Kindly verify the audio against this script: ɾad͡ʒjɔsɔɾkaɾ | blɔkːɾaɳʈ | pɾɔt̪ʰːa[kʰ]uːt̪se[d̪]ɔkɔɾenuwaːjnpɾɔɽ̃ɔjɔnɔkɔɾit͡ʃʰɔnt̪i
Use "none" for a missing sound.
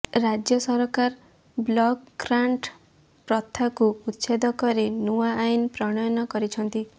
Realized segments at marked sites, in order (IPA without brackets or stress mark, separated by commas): k, d̪